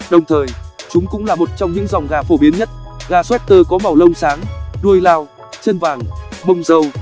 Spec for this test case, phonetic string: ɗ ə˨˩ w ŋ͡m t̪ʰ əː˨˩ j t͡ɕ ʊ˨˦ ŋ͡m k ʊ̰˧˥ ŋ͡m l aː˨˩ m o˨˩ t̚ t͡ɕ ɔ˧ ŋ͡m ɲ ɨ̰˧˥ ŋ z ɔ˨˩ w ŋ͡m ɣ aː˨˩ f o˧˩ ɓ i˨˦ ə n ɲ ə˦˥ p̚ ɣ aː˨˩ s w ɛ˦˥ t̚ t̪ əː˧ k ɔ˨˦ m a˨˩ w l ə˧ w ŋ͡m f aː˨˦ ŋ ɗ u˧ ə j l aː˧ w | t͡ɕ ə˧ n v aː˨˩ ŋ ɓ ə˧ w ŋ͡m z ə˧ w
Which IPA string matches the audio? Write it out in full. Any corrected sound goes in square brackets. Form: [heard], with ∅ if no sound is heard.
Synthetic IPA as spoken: ɗ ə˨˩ w ŋ͡m t̪ʰ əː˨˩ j t͡ɕ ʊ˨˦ ŋ͡m k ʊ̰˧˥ ŋ͡m l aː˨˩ m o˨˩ t̚ t͡ɕ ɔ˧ ŋ͡m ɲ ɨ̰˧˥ ŋ z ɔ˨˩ w ŋ͡m ɣ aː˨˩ f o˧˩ ɓ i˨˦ ə n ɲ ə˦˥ [t̚] ɣ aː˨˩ s w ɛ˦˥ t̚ t̪ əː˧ k ɔ˨˦ m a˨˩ w l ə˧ w ŋ͡m [s] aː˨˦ ŋ ɗ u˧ ə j l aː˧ w | t͡ɕ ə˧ n v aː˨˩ ŋ ɓ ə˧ w ŋ͡m z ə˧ w